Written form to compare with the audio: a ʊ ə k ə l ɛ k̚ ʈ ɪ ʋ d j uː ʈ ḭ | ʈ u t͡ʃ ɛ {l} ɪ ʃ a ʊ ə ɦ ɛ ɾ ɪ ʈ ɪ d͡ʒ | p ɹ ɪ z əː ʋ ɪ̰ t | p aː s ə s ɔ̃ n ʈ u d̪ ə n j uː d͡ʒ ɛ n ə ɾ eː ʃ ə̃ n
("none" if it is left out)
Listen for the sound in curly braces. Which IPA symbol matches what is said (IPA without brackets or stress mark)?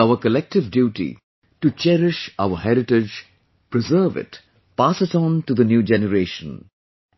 ɾ